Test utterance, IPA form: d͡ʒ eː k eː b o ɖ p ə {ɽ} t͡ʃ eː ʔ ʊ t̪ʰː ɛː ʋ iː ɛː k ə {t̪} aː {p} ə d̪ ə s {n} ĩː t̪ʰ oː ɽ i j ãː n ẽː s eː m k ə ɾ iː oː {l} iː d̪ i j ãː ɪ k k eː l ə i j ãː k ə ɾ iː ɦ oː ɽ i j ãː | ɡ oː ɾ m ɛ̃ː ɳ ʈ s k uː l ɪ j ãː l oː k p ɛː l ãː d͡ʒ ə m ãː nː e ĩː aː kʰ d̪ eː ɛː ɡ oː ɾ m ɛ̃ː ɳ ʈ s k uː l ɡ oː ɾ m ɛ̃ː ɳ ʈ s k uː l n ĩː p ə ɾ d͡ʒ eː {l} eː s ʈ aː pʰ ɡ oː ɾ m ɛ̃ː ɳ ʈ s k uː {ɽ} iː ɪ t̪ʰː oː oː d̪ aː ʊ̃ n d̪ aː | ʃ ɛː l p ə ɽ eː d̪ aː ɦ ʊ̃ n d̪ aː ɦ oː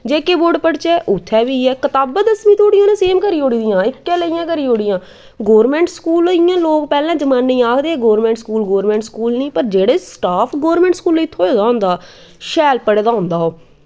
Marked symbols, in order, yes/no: yes, yes, no, no, no, no, no

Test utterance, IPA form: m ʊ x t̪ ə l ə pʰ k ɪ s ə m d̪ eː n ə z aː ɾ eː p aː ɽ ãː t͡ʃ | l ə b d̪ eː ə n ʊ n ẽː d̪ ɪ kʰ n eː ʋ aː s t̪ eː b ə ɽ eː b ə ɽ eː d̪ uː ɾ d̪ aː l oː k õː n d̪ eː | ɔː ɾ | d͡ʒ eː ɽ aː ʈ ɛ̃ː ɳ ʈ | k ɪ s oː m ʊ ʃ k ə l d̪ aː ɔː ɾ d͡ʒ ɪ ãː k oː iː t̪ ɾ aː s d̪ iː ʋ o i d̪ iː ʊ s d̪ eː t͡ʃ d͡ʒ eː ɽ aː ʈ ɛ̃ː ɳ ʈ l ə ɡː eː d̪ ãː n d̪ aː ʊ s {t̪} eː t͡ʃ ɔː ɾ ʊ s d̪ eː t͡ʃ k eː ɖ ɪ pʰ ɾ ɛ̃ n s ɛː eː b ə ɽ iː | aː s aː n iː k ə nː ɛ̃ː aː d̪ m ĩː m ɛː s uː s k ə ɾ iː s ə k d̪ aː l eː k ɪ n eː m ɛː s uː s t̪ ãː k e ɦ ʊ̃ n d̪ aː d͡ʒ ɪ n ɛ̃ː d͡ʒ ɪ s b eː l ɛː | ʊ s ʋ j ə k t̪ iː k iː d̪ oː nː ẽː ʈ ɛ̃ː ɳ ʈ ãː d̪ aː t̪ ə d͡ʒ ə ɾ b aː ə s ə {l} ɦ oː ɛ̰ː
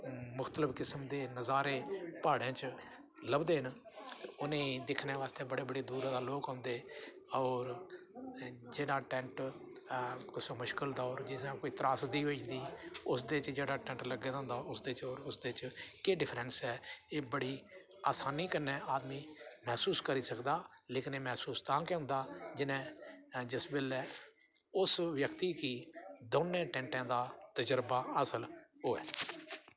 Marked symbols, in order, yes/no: no, yes

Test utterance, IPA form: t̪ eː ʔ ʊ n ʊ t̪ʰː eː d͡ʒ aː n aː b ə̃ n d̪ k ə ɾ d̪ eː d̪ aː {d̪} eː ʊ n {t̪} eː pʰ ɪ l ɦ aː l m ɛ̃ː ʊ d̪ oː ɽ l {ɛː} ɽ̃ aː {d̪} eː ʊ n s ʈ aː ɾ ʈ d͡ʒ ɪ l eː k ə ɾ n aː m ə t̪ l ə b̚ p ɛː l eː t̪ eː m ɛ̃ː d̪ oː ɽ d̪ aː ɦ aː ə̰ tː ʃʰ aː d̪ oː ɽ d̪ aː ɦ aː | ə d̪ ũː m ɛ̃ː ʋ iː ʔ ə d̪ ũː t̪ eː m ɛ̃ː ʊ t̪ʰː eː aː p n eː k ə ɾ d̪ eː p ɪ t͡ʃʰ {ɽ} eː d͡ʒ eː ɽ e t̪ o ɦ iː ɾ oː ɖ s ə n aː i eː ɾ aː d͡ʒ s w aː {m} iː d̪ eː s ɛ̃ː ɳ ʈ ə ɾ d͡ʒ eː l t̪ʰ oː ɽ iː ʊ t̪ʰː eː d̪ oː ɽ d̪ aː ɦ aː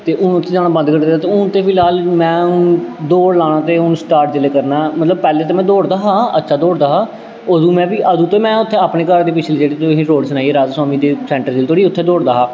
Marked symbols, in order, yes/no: no, yes, no, no, no, yes

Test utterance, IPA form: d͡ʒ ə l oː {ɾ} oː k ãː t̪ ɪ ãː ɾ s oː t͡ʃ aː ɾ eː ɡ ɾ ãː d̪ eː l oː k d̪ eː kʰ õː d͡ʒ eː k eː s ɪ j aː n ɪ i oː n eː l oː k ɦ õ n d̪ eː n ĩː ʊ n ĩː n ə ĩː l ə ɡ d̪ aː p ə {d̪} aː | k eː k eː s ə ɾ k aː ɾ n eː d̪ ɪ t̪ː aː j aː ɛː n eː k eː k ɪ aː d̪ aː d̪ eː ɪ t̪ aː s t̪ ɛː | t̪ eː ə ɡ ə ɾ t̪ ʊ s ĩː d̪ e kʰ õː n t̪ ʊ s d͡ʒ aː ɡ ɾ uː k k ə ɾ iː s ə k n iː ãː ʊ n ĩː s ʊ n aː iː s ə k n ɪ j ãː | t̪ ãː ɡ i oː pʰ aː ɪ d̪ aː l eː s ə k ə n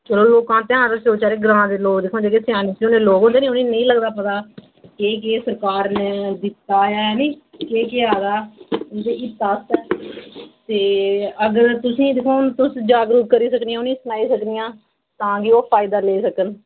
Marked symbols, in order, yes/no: no, no

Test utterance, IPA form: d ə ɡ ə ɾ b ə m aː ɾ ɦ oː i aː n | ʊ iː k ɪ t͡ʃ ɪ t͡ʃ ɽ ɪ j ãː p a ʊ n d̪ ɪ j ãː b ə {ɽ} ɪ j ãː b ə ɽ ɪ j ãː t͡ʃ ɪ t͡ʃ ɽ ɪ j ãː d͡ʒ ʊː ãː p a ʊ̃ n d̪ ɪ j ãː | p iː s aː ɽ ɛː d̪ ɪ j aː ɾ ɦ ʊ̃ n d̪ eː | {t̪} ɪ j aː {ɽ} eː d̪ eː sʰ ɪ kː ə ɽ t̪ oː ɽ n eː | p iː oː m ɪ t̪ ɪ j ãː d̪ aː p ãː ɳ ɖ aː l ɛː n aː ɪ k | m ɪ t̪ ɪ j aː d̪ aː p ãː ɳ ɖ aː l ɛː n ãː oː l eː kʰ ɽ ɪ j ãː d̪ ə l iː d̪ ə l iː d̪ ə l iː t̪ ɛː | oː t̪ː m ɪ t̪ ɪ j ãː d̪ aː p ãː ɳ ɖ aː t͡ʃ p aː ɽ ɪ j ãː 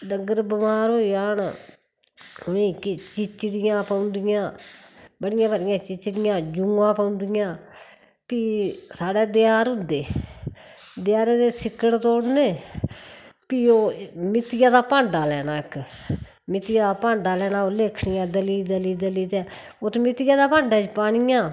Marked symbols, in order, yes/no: yes, no, no

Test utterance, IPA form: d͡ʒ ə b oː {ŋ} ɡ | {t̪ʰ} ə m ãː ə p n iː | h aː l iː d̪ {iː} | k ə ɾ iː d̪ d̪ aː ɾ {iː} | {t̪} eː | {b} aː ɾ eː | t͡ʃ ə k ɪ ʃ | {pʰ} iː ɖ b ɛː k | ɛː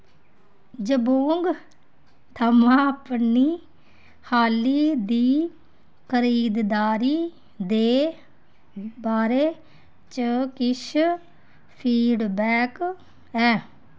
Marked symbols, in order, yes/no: yes, yes, yes, yes, no, yes, yes

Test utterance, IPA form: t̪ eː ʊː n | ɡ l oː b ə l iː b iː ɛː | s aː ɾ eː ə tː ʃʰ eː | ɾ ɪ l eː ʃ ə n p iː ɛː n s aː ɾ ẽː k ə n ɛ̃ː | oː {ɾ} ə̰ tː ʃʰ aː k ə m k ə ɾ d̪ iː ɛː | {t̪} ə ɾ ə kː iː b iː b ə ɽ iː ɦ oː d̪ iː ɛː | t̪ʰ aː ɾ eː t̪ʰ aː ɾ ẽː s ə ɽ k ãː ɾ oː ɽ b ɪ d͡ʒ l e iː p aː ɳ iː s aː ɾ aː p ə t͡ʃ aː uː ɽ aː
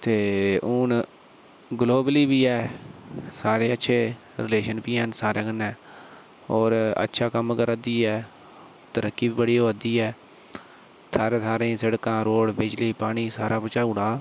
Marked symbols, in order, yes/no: yes, yes

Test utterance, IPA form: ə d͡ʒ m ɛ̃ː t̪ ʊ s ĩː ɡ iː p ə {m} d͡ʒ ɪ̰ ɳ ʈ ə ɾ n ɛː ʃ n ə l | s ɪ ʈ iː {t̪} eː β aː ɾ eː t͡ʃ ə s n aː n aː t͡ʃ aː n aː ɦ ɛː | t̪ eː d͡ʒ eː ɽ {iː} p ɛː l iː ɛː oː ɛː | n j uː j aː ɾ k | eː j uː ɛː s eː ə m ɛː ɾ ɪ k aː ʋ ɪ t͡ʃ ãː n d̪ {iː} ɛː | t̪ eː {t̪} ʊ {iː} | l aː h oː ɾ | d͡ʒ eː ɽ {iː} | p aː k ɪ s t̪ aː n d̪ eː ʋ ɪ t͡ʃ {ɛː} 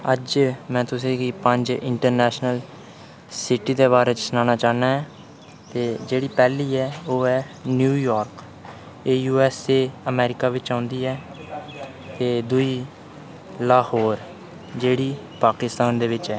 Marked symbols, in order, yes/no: no, no, yes, yes, no, yes, yes, yes

